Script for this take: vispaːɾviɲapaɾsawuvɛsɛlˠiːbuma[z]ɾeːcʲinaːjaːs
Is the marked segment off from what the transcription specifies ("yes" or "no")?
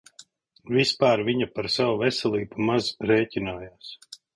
no